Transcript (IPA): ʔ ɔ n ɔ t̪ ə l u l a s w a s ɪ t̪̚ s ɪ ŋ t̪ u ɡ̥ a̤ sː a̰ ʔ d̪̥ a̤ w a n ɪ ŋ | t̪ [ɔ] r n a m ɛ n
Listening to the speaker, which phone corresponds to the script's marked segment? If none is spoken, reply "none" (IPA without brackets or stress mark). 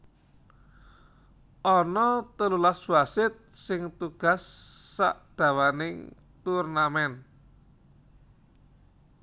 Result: u